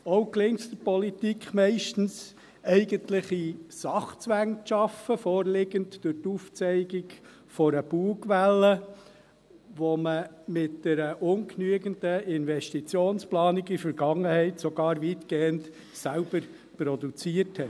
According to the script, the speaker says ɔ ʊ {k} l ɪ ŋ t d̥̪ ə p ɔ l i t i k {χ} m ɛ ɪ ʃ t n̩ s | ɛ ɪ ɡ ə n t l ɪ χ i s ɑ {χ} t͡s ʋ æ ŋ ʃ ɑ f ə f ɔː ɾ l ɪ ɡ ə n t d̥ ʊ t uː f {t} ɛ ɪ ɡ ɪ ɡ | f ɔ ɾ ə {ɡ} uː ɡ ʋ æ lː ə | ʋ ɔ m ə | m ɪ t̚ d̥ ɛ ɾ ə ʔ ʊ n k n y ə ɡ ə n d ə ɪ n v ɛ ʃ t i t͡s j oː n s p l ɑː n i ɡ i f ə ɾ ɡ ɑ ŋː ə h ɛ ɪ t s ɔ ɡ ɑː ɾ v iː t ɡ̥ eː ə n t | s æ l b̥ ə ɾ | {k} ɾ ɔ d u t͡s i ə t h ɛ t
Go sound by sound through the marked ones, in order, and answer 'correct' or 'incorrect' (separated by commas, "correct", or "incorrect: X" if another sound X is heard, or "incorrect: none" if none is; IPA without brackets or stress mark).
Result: correct, correct, correct, incorrect: t͡s, incorrect: b, incorrect: p